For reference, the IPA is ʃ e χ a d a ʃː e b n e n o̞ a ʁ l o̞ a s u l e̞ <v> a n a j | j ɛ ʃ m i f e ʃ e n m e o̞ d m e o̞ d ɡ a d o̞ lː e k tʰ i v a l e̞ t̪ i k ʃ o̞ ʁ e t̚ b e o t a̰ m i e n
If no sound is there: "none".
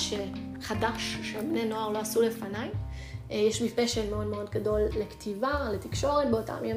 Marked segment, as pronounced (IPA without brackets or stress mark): f